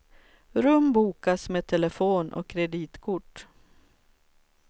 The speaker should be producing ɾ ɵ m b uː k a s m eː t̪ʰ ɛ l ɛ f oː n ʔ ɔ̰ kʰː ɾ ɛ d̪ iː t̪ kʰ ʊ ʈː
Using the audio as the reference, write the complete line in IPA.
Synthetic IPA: ɾ ɵ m b uː k a s m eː t̪ʰ ɛ l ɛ f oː n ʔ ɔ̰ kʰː ɾ ɛ d̪ iː t̪ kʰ ʊ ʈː

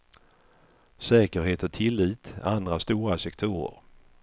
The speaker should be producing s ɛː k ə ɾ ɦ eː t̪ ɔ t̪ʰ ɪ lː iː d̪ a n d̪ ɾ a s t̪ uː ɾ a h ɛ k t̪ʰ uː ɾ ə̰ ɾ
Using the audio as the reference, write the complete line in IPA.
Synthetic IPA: s ɛː k ə ɾ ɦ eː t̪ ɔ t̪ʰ ɪ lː iː t̪ a n d̪ ɾ a s t̪ uː ɾ a s ɛ k t̪ʰ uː ɾ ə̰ ɾ

